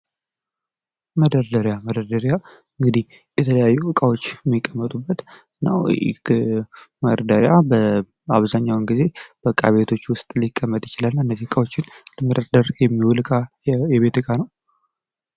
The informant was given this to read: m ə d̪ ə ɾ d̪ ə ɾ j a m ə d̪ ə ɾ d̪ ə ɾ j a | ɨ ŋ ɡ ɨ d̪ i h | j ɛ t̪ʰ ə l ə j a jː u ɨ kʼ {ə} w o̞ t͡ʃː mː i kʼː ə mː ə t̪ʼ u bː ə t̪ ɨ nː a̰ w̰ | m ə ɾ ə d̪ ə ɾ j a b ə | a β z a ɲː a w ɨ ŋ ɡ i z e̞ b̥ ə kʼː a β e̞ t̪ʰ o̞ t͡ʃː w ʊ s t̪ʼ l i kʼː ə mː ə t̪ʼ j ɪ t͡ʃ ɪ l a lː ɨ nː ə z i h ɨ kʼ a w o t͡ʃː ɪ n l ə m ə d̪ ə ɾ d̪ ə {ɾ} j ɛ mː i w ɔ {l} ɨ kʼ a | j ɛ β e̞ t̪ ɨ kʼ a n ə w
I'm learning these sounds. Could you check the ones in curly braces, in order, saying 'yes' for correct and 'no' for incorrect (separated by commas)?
no, yes, yes